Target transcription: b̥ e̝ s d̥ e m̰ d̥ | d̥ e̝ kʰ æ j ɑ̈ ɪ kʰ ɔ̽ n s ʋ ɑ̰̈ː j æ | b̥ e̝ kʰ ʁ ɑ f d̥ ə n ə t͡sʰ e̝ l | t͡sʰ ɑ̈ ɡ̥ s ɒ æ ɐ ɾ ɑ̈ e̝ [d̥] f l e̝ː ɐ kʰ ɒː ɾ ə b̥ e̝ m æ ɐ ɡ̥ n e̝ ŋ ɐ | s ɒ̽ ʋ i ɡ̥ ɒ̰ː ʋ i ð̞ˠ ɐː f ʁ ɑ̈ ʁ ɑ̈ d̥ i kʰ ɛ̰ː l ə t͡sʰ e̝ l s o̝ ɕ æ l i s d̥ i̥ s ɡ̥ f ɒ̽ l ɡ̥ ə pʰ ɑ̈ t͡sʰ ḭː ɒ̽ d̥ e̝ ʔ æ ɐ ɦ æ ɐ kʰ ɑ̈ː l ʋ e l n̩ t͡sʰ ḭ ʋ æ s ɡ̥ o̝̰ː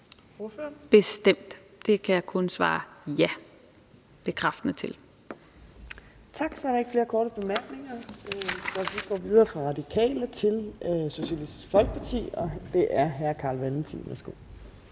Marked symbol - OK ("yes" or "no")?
no